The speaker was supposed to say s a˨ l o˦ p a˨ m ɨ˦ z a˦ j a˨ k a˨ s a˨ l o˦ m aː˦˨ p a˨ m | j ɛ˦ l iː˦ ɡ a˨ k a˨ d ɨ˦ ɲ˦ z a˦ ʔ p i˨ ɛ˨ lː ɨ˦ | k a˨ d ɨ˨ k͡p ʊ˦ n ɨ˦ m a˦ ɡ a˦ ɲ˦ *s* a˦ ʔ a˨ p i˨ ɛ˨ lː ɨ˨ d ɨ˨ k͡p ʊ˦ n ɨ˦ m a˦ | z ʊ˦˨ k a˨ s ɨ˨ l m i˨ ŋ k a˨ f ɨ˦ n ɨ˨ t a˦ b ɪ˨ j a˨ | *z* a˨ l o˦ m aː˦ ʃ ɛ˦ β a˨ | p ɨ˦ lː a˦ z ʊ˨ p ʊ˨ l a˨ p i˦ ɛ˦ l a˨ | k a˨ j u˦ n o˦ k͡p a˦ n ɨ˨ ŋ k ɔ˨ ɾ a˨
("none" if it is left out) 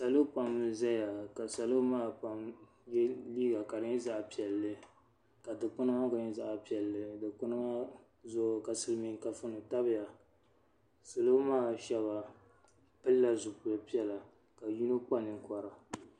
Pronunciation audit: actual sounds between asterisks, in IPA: z, s

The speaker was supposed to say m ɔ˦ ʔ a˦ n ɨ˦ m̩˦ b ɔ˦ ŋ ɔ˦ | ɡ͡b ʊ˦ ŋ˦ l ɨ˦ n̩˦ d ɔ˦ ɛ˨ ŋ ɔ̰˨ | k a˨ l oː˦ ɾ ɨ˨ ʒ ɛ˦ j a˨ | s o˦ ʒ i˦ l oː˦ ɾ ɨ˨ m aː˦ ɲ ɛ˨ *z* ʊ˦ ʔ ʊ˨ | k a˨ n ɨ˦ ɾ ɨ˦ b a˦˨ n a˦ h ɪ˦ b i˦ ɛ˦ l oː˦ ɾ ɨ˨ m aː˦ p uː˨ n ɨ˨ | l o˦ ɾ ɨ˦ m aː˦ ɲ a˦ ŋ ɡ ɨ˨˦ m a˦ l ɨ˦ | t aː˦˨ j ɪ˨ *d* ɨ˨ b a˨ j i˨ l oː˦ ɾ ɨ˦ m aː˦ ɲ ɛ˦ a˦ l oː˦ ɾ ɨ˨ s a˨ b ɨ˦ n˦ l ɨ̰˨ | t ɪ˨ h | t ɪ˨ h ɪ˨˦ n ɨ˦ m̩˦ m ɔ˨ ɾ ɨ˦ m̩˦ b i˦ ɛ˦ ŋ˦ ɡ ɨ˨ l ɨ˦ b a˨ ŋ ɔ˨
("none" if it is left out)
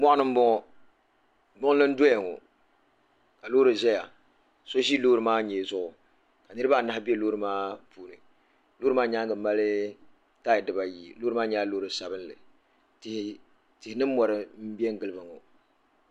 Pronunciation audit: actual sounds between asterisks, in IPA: z, d

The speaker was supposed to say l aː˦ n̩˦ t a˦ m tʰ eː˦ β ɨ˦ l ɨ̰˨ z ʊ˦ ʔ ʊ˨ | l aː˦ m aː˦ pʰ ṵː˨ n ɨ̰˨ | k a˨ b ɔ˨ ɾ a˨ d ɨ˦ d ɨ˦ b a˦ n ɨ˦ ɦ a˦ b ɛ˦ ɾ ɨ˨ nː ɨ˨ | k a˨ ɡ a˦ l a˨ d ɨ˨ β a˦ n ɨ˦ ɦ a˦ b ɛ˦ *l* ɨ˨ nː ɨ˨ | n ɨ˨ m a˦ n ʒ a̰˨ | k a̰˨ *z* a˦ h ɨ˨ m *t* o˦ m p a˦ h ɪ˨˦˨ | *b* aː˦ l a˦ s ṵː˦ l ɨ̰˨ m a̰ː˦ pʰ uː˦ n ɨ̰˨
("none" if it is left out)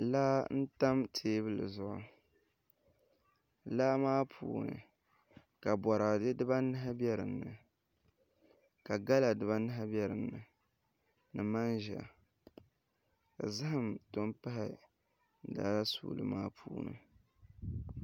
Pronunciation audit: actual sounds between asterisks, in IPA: ɾ, z, t, d

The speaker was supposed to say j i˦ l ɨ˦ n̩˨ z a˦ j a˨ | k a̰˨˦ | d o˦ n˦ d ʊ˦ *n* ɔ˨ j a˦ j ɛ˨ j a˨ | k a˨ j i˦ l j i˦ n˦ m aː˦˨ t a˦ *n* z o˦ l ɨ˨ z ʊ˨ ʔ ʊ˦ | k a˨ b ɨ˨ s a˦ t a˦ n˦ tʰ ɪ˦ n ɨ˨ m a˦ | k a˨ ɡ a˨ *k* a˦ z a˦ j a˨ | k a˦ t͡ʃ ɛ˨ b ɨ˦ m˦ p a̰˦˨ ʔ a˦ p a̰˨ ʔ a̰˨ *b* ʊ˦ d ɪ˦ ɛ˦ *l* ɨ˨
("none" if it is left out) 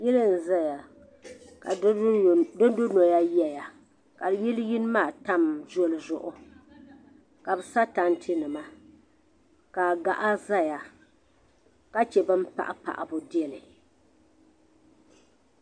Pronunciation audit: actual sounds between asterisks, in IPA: n, m, ʔ, b, l

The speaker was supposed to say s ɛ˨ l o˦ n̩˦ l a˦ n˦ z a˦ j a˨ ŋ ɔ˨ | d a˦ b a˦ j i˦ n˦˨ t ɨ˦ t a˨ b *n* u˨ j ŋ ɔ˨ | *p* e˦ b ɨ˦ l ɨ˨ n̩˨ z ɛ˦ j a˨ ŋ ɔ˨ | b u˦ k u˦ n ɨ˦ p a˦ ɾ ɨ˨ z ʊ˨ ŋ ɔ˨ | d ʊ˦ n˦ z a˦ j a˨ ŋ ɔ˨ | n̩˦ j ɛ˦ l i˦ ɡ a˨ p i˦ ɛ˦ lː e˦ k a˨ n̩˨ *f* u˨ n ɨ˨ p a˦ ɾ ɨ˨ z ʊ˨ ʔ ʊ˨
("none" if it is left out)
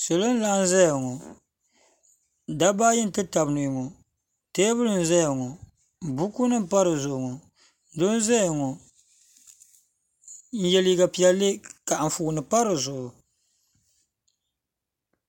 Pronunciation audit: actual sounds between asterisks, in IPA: n, t, f

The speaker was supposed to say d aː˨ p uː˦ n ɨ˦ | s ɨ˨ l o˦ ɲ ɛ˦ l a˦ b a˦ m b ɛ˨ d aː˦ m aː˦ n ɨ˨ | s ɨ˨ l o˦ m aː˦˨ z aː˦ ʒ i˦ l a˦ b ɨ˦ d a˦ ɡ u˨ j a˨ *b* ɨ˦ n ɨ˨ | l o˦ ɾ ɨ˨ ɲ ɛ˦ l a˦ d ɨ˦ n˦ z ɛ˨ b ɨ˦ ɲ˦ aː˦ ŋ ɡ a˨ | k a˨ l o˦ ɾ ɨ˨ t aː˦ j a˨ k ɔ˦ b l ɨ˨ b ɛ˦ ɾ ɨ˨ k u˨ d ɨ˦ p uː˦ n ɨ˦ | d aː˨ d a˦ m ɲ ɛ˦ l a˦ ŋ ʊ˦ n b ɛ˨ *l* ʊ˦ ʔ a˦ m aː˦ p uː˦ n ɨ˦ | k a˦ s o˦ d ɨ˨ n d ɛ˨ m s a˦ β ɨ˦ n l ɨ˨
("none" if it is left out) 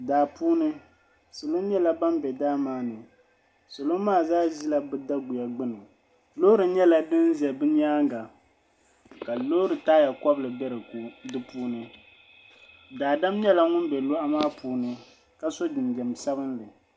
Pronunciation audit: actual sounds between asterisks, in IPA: ɡ͡b, l

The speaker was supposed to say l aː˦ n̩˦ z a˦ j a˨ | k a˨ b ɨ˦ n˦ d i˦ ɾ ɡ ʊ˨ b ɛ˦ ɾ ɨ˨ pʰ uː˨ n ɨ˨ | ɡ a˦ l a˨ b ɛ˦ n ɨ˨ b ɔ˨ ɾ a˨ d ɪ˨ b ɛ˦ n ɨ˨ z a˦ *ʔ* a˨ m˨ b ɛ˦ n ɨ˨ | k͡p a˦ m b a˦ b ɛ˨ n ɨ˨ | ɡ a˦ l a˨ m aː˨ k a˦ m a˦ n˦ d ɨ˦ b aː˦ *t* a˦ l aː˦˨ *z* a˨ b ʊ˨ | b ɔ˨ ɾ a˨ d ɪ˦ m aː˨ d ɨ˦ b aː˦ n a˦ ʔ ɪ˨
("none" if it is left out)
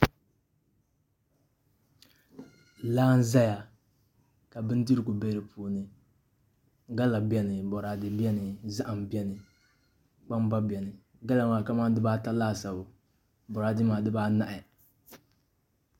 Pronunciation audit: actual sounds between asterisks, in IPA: ʔ, t, s

